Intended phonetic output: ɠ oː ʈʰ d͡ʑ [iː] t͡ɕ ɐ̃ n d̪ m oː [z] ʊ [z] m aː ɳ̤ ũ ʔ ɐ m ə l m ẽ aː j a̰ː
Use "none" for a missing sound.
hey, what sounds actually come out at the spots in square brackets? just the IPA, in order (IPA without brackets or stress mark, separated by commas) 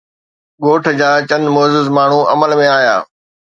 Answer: aː, z, z